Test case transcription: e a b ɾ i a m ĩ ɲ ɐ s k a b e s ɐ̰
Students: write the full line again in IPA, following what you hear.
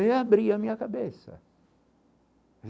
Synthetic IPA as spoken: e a b ɾ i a m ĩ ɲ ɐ k a b e s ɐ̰